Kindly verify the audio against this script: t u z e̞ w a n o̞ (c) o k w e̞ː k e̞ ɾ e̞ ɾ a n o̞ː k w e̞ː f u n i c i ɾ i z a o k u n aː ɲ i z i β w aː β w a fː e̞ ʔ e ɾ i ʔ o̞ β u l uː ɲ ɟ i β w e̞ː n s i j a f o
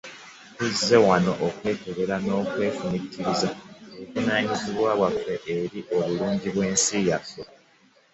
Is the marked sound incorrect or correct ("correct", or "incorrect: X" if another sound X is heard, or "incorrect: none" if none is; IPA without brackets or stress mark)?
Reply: incorrect: ʔ